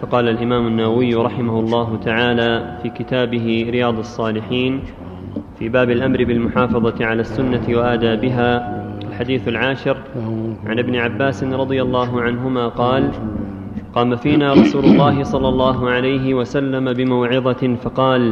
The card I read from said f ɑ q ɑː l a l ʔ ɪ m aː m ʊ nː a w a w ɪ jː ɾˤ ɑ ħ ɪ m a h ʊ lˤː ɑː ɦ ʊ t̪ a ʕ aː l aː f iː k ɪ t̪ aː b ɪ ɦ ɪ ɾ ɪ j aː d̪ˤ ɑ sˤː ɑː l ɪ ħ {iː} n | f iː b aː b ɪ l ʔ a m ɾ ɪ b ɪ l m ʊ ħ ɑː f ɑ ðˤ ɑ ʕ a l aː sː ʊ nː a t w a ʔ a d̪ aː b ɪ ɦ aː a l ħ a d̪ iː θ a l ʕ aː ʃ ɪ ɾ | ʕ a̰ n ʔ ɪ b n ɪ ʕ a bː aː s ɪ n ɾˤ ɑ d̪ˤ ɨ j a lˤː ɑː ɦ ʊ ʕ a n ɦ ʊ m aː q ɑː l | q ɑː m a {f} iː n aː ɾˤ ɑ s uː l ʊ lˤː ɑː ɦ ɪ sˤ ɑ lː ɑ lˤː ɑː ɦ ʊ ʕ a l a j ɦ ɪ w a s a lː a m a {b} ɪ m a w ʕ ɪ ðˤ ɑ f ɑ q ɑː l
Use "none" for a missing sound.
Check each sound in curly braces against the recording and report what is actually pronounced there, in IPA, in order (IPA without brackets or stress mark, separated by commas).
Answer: iː, f, b